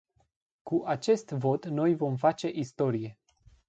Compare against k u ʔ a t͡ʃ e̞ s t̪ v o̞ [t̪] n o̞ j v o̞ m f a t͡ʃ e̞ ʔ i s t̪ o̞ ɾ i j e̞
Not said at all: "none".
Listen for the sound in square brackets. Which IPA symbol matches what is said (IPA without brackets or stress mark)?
t̪